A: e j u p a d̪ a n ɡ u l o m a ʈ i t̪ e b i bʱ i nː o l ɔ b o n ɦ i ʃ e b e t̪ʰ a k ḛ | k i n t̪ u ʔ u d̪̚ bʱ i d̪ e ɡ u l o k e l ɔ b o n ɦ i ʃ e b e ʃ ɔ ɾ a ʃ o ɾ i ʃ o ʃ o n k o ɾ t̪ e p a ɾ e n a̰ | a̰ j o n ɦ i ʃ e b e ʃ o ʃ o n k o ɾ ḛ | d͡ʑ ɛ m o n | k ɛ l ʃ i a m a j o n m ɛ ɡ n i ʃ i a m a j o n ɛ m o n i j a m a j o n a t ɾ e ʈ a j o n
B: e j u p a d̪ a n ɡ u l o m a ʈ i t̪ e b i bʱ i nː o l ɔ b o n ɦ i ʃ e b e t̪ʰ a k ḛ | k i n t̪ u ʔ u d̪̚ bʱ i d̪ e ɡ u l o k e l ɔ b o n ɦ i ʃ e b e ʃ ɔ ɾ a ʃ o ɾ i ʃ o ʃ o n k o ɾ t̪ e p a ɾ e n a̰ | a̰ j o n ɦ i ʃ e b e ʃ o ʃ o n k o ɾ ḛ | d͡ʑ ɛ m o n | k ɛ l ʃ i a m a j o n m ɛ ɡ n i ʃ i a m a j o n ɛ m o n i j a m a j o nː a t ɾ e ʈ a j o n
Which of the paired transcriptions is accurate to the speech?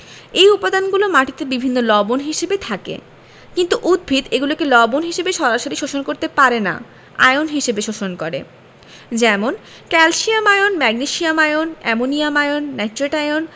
B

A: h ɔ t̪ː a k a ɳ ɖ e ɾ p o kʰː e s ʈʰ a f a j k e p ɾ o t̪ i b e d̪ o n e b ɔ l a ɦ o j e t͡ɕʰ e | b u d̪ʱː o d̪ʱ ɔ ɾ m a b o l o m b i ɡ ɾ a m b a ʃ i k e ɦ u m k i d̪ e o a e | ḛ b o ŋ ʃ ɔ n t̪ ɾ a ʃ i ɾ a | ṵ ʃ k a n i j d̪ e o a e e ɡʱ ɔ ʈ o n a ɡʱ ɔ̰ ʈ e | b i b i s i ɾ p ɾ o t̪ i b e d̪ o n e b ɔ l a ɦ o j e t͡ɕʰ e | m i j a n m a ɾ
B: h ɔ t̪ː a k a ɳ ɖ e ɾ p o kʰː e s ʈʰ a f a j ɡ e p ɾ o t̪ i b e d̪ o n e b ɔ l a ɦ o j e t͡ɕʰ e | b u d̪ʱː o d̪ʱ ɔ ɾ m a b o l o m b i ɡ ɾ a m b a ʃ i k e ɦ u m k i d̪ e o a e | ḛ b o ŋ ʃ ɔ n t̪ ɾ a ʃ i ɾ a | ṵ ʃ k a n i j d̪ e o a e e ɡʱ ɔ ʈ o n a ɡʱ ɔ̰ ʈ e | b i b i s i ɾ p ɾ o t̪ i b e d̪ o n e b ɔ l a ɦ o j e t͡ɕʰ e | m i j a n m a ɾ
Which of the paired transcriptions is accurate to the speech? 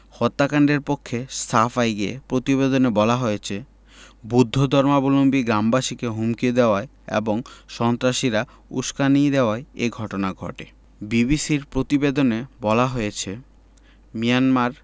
B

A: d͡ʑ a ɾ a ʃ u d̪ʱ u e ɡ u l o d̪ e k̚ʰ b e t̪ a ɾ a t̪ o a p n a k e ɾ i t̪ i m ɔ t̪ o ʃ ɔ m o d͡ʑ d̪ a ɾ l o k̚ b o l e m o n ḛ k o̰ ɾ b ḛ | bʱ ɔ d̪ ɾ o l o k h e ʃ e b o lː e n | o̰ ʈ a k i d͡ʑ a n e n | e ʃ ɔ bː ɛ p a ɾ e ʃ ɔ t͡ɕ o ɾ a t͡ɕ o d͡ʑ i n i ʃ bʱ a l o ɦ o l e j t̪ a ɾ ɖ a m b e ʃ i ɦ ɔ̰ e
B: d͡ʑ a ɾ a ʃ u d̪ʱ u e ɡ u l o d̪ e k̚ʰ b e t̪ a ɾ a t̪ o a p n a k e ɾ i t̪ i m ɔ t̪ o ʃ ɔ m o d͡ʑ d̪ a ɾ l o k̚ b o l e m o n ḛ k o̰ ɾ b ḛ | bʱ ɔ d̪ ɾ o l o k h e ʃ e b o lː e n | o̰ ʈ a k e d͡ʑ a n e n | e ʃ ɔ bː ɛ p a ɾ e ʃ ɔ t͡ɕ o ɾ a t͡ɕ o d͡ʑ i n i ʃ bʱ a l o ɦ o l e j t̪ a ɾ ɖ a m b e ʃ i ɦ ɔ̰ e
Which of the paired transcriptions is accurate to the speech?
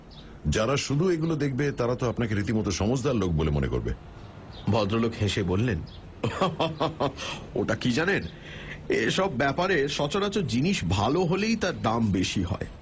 A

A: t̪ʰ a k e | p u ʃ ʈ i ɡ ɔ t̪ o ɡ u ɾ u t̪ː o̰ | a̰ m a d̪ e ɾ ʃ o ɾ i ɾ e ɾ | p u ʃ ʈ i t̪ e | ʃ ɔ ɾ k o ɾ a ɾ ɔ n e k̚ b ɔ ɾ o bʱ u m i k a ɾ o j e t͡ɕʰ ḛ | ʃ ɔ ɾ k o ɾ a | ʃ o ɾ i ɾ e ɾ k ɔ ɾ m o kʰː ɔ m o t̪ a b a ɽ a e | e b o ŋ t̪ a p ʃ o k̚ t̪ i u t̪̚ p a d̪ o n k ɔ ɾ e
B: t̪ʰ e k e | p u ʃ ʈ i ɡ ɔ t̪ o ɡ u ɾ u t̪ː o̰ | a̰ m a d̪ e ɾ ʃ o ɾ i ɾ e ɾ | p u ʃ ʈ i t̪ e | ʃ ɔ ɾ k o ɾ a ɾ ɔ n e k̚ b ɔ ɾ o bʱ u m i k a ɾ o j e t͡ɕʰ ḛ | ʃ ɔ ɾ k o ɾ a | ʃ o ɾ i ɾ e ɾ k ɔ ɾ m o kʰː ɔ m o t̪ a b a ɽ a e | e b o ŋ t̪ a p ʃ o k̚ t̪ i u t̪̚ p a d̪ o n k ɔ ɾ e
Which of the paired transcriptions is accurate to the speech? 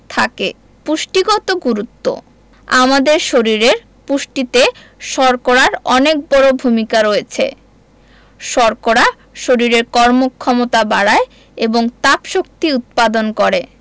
A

